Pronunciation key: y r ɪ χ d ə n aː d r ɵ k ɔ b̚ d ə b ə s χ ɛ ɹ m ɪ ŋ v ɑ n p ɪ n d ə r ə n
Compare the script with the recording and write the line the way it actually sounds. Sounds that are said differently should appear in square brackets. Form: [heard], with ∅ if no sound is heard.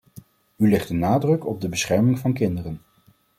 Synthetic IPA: y [l] ɪ χ d ə n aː d r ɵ k ɔ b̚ d ə b ə s χ ɛ ɹ m ɪ ŋ v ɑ n [k] ɪ n d ə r ə n